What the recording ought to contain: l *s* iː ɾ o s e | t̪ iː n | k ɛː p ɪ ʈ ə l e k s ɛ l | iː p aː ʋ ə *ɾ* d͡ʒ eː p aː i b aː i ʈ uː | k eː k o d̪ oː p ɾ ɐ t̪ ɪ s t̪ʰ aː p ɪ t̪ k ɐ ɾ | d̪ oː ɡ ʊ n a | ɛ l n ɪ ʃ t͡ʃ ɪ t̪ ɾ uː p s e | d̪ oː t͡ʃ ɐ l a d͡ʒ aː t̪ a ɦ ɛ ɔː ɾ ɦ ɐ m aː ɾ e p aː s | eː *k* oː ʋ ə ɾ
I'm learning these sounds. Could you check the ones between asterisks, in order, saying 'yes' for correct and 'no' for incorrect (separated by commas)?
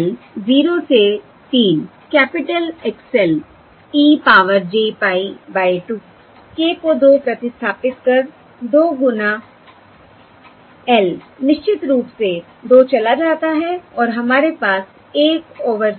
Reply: no, yes, yes